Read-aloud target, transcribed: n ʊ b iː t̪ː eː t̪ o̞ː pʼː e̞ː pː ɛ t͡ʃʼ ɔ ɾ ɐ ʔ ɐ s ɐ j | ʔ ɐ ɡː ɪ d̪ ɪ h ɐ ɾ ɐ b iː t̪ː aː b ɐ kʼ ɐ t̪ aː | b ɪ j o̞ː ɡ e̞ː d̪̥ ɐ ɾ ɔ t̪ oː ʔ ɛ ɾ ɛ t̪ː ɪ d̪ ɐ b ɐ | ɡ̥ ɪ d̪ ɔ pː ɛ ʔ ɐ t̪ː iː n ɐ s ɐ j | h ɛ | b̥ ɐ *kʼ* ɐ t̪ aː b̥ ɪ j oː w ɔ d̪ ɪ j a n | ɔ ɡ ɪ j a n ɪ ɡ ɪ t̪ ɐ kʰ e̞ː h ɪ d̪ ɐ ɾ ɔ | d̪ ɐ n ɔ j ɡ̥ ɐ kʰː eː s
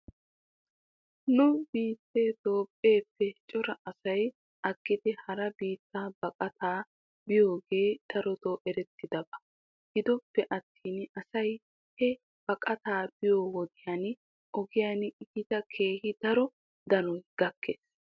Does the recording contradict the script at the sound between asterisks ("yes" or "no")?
no